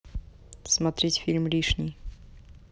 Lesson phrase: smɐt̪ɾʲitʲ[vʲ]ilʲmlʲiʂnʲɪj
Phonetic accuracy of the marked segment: incorrect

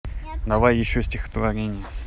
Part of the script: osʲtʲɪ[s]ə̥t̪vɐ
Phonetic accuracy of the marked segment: incorrect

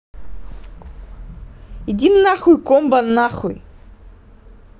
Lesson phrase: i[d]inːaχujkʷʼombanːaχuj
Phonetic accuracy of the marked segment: correct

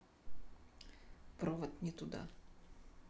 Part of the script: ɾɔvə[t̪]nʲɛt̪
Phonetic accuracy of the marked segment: correct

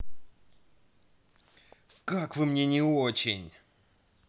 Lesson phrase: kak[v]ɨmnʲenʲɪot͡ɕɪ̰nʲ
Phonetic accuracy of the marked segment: correct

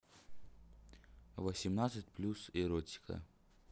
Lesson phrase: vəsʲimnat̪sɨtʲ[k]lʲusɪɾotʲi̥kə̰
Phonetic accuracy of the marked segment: incorrect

